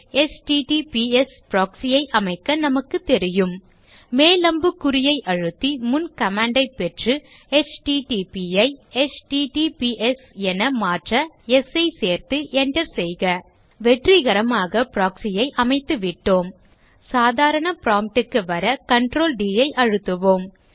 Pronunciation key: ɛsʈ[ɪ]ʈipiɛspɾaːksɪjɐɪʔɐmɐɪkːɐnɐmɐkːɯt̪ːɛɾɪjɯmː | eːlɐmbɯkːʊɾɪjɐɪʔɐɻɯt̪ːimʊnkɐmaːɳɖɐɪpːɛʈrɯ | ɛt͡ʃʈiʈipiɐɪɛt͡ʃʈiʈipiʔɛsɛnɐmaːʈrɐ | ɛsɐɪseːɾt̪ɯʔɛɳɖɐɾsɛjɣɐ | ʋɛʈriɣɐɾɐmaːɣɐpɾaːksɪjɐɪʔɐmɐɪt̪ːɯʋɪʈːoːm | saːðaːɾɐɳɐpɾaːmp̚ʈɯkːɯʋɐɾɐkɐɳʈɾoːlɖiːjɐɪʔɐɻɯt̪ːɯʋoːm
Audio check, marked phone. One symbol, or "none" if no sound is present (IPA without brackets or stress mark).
i